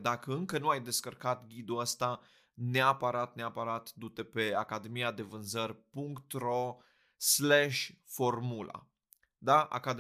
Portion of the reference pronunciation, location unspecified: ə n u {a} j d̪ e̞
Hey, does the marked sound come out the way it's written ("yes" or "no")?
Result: yes